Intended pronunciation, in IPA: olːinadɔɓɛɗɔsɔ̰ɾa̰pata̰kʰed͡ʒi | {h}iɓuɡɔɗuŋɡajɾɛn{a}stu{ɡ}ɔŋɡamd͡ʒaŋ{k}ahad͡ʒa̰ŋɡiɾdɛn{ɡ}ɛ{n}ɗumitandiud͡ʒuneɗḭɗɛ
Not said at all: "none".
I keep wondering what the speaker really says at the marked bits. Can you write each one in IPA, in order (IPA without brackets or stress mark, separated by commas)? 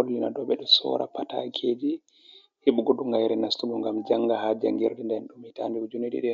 h, a, ɡ, ɡ, d, n